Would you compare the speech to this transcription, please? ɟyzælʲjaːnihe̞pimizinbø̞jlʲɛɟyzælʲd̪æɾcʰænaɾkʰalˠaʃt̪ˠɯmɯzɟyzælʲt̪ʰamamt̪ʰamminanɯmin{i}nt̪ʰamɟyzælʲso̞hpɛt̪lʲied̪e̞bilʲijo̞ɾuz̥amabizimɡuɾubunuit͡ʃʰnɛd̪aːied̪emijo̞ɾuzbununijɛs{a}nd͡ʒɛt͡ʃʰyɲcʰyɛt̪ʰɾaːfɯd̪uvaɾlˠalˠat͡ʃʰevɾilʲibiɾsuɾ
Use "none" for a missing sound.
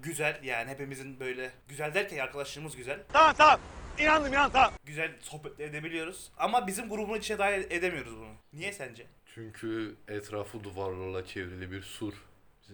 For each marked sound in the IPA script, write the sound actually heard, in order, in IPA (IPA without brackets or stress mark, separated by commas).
a, æ